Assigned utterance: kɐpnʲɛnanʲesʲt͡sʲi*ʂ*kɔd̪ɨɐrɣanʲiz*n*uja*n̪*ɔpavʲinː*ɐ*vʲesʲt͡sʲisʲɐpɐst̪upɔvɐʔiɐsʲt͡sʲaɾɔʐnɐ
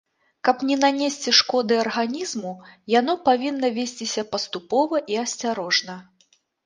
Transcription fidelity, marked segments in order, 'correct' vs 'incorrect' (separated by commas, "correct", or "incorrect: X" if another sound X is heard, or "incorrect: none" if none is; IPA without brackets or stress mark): correct, incorrect: m, correct, correct